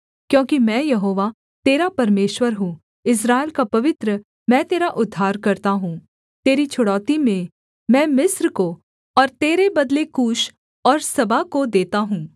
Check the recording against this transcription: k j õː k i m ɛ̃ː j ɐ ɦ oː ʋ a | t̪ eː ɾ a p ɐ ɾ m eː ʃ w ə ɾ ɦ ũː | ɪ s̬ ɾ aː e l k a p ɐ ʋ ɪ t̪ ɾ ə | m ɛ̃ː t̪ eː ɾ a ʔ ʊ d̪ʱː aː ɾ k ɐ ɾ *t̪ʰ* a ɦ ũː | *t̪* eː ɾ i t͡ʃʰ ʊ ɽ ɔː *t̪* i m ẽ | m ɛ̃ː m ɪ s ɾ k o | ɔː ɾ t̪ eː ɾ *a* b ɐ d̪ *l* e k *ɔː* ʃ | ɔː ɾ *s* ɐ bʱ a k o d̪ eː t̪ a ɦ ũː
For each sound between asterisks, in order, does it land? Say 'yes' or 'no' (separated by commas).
no, yes, yes, no, yes, no, yes